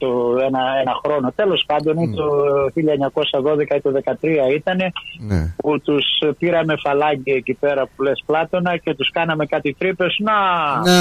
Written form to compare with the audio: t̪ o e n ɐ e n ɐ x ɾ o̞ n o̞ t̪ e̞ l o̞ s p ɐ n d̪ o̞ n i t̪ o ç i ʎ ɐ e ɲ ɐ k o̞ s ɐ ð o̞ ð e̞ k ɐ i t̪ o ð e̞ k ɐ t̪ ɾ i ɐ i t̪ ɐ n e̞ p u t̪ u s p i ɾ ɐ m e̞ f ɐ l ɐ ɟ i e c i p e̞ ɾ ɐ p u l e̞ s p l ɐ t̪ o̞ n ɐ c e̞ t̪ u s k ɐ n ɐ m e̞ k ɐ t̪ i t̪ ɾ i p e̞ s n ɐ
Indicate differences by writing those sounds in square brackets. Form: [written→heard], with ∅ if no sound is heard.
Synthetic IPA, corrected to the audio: t̪ o e n ɐ e n ɐ x ɾ o̞ n o̞ t̪ e̞ l o̞ s p ɐ n d̪ o̞ n i t̪ o ç i ʎ ɐ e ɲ ɐ k o̞ s ɐ ð o̞ ð e̞ k ɐ i t̪ o ð e̞ k ɐ t̪ ɾ i ɐ i t̪ ɐ n e̞ p u t̪ u s p i ɾ ɐ m e̞ f ɐ l ɐ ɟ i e c i p e̞ ɾ ɐ p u l e̞ s p l ɐ t̪ o̞ n ɐ c e̞ t̪ u s k ɐ n ɐ m e̞ k ɐ t̪ i t̪ ɾ i p e̞ s n ɐ